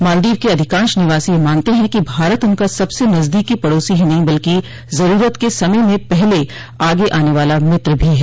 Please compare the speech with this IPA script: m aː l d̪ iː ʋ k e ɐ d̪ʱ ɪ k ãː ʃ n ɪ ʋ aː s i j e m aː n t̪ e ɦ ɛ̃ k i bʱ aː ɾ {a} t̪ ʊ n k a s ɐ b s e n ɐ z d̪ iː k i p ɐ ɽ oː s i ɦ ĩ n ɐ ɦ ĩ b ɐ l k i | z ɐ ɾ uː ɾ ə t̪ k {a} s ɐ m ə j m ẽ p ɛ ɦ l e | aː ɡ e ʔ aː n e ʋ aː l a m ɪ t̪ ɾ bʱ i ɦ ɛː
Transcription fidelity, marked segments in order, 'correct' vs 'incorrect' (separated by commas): incorrect, incorrect